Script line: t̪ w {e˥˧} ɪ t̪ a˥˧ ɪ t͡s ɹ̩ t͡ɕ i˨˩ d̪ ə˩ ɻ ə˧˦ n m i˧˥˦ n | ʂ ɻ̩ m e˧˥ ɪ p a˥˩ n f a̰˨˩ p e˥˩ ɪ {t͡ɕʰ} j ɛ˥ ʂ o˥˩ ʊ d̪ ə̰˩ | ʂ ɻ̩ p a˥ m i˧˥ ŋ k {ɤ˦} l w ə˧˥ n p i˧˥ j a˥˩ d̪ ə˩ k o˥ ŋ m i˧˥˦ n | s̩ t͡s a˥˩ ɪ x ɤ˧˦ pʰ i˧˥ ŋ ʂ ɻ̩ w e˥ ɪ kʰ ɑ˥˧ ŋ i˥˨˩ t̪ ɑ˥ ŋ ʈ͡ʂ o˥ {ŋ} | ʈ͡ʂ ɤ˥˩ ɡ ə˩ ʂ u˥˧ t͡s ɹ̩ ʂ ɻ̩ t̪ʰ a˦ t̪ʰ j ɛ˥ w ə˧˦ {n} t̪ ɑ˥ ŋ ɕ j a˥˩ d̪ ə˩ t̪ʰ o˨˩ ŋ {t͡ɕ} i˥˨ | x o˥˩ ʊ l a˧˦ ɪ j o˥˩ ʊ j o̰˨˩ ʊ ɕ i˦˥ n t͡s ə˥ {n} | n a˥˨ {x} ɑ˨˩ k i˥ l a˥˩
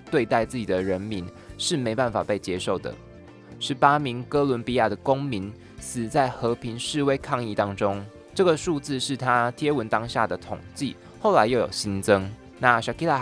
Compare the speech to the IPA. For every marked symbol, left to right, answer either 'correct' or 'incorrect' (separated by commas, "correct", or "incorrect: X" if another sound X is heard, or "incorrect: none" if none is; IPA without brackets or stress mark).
correct, incorrect: t͡ɕ, correct, correct, correct, correct, incorrect: ŋ, incorrect: ɕ